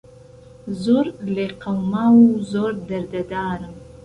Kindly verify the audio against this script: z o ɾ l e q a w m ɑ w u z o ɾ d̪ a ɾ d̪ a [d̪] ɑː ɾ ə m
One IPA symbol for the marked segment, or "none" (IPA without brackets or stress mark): d̪